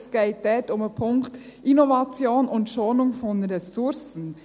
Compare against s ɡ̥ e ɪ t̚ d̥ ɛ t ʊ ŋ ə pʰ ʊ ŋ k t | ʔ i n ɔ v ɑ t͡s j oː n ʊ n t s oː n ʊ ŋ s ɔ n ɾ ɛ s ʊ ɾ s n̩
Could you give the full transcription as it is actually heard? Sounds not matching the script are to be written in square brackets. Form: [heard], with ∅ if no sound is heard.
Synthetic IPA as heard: s ɡ̥ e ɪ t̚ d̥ ɛ t ʊ [m] ə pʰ ʊ ŋ k t | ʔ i n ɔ v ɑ t͡s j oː n ʊ n t [ʃ] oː n ʊ ŋ [f] ɔ n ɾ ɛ s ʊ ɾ s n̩